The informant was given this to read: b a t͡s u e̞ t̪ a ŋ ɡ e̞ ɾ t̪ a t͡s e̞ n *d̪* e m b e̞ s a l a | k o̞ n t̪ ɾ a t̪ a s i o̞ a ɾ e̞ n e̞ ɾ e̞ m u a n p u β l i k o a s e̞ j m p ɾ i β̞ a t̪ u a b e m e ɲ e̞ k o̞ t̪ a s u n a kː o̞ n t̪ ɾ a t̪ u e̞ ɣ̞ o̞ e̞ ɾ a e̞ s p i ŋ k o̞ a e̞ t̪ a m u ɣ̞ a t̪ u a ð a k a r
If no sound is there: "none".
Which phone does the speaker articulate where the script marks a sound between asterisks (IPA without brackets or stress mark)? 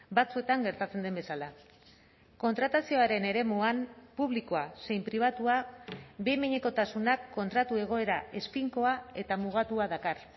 d̪